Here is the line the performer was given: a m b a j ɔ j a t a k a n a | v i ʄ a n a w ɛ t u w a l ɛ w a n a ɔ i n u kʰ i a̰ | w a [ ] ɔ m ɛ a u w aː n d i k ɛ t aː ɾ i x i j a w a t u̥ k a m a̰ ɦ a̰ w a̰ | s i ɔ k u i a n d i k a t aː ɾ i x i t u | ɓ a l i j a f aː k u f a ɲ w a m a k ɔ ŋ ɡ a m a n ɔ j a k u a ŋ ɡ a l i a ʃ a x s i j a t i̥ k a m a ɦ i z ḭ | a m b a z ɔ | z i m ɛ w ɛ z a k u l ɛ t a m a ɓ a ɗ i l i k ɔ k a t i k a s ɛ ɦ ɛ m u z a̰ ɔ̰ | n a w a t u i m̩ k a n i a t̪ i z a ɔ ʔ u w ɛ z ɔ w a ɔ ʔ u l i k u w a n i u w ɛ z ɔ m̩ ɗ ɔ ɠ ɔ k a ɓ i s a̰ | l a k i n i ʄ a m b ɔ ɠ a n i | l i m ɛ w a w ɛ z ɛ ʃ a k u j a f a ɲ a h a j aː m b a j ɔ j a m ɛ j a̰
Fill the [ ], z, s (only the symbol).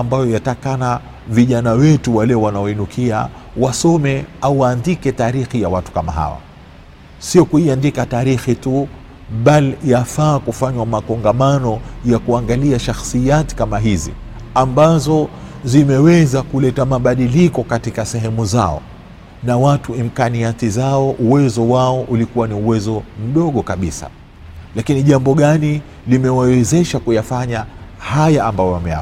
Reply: s